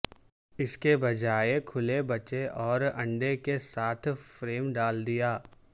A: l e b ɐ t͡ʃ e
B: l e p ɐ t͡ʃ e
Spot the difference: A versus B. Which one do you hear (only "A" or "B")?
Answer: A